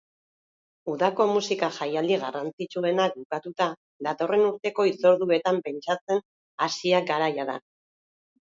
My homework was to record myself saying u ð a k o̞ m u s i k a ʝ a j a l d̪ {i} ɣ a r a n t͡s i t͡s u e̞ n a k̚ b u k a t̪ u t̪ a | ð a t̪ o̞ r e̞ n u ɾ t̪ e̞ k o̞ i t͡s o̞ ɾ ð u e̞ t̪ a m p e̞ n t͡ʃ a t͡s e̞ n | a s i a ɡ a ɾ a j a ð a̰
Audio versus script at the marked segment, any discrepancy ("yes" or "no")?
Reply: no